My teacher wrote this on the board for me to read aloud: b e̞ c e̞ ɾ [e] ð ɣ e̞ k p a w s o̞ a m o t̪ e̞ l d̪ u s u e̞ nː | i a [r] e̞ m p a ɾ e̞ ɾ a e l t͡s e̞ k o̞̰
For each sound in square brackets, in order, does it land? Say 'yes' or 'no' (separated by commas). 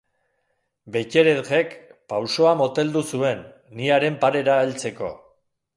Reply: yes, no